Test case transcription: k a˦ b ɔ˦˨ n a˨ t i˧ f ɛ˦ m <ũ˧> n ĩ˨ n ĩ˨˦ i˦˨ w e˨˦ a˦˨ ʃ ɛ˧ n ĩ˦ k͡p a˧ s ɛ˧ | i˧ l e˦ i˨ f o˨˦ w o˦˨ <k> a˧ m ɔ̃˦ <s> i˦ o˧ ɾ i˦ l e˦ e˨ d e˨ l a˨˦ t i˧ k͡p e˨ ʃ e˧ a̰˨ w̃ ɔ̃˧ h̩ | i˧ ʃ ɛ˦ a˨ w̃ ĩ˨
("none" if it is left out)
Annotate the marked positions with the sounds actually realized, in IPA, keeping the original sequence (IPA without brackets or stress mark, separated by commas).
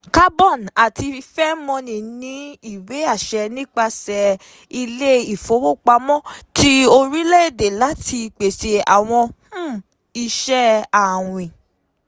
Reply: ɔ̃˧, k͡p, t